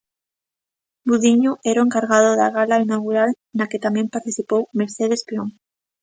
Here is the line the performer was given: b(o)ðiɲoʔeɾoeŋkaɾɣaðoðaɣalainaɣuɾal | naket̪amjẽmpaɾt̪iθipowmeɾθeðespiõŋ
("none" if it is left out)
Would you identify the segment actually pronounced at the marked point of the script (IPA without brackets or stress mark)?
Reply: u